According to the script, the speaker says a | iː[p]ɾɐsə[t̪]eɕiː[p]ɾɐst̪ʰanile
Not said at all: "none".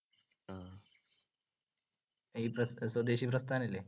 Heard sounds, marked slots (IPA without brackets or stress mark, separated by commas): p, d̪, p